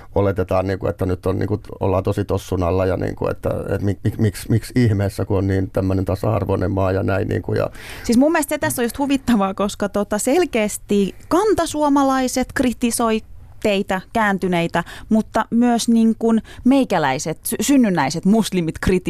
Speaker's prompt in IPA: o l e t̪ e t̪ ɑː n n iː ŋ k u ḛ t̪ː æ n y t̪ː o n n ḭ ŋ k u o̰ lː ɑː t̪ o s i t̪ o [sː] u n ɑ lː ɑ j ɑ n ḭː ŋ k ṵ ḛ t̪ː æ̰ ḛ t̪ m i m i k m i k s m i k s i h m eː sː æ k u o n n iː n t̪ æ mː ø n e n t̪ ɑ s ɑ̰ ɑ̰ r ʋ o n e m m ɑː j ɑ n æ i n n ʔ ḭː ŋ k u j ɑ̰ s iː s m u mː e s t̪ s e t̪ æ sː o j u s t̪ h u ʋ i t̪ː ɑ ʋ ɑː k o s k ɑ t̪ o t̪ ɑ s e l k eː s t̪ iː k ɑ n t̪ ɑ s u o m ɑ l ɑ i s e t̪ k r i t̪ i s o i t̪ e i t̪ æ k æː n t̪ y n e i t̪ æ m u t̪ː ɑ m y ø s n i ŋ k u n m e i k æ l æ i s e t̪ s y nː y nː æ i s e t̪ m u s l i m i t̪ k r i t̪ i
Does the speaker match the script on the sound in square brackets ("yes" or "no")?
yes